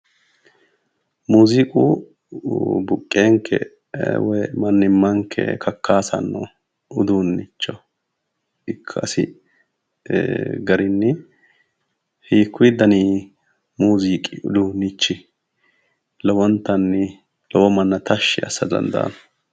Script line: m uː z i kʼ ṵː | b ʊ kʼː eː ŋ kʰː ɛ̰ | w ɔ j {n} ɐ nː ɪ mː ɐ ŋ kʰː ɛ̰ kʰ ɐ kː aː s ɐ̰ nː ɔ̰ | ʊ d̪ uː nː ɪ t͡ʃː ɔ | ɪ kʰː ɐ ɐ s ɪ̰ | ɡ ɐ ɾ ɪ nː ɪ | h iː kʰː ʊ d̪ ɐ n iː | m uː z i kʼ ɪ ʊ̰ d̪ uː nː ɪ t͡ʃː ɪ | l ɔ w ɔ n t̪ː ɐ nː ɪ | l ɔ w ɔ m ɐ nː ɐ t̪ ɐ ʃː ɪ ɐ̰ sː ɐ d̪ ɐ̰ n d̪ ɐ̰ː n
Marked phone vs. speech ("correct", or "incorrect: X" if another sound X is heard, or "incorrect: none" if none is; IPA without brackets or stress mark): incorrect: m